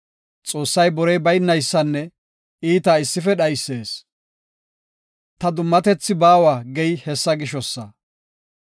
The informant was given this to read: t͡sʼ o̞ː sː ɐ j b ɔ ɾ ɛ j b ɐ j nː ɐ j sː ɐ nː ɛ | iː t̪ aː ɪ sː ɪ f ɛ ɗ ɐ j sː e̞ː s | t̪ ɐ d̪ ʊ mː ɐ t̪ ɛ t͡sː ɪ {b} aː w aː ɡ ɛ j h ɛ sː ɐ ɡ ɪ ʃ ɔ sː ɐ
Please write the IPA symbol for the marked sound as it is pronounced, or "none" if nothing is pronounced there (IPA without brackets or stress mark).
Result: b